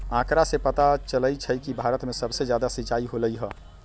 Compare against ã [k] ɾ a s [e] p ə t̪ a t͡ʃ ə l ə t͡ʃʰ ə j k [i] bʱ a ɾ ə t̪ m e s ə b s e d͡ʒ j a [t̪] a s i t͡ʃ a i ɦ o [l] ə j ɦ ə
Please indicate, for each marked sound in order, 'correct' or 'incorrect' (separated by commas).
correct, correct, correct, incorrect, correct